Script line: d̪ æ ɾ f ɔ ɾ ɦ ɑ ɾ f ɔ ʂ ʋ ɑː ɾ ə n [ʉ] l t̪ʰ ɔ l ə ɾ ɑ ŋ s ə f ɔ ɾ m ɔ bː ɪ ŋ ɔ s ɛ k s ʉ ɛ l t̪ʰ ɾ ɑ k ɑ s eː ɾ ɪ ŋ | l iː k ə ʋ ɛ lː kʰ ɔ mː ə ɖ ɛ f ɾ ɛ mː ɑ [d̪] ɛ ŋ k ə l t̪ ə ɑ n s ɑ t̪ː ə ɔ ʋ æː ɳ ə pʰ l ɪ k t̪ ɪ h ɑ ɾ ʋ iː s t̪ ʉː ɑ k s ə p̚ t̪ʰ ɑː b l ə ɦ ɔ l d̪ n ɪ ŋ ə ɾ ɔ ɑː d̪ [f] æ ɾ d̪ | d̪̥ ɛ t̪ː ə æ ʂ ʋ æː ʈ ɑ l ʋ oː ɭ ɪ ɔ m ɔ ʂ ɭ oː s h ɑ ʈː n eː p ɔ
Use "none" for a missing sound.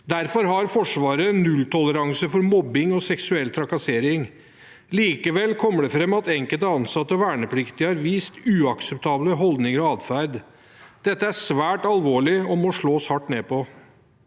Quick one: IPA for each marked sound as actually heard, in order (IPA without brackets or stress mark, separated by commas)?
ʉ, t̪, f